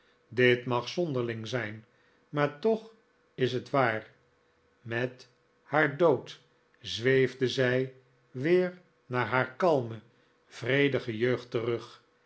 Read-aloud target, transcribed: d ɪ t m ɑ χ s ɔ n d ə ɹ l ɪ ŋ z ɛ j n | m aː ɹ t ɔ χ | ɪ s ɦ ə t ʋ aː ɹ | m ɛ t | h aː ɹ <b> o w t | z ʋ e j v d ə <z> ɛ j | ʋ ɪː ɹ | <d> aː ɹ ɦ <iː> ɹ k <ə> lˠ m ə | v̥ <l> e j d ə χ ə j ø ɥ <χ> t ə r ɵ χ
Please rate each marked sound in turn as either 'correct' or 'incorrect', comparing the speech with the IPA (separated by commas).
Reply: incorrect, correct, incorrect, incorrect, incorrect, incorrect, correct